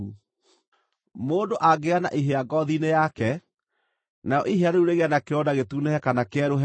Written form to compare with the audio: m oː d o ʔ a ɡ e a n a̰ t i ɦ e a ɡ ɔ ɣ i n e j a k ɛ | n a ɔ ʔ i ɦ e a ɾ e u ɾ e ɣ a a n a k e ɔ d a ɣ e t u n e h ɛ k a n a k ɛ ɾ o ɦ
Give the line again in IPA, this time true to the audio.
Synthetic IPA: m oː d o ʔ a ɡ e a n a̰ ʔ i ɦ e a ɡ ɔ ð i n e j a k ɛ | n a ɔ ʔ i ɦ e a ɾ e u ɾ e ɣ e a n a k e ɔ d a ɣ e t u n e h ɛ k a n a k ɛ ɾ o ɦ